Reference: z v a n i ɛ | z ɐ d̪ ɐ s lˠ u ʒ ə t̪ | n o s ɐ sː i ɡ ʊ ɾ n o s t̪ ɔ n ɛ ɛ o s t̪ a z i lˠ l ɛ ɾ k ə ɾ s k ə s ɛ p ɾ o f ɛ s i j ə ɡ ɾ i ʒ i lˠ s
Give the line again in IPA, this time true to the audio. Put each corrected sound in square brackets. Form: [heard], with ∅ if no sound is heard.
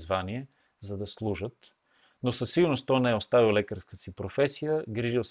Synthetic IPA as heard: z v a n i ɛ | z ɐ d̪ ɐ s lˠ u ʒ ə t̪ | n o s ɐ sː i ɡ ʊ ɾ n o s t̪ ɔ n ɛ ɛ o s t̪ a [v] i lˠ l ɛ [∅] k ə ɾ s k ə s [i] p ɾ o f ɛ s i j ə ɡ ɾ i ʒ i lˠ s